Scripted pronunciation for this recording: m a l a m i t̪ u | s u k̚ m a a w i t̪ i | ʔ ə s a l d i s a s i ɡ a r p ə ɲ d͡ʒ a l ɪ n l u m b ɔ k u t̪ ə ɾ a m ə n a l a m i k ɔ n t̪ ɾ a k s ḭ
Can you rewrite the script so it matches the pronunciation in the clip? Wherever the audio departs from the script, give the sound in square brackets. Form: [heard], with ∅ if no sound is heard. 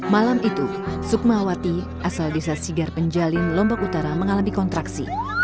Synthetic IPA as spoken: m a l a m i t̪ u | s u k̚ m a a w [a] t̪ i | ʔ [a] s a l d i s a s i ɡ a r p ə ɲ d͡ʒ a l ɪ n l [ɔ] m b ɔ k u t̪ [a] ɾ a m ə [ŋ] a l a m i k ɔ n t̪ ɾ a k s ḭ

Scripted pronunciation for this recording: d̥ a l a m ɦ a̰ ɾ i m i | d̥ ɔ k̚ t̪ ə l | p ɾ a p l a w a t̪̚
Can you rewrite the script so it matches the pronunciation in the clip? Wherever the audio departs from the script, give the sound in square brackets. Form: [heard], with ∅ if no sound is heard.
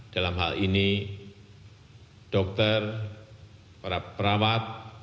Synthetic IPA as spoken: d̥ a l a m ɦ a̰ [l] i [n] i | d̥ ɔ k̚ t̪ ə [r] | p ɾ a p [ɾ] a w a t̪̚

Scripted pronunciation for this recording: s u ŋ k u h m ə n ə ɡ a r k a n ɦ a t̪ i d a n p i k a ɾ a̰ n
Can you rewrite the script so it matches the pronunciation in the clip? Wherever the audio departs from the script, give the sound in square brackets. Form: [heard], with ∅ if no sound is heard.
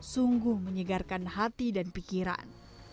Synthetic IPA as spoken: s u ŋ [ɡ] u h m ə [ɲ] ə ɡ a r k a n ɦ a t̪ i d a n p i k [i] ɾ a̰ n

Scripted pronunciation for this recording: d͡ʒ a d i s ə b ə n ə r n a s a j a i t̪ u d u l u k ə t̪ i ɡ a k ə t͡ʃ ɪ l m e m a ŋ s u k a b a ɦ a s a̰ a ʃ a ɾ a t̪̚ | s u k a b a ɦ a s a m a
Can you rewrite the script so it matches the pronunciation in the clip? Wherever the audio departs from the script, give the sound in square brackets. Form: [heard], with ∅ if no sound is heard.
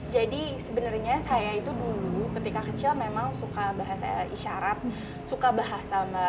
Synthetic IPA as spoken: d͡ʒ a d i s ə b ə n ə r [ɲ] a s a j a i t̪ u d u l u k ə t̪ i [k] a k ə t͡ʃ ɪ l m e m a ŋ s u k a b a ɦ a s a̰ [i] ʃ a ɾ a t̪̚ | s u k a b a ɦ a s a m a

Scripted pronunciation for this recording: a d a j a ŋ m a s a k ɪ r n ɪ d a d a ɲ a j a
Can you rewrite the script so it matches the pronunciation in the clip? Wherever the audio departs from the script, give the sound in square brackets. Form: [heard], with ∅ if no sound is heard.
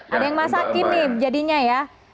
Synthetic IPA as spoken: a d a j a ŋ m a s a k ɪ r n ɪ [d͡ʒ] a d [i] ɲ a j a

